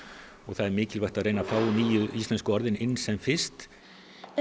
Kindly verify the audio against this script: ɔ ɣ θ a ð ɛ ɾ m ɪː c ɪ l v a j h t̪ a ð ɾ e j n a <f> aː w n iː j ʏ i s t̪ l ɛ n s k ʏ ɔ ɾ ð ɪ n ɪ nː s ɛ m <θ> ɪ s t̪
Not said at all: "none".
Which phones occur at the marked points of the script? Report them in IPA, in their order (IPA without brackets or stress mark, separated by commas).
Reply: f, f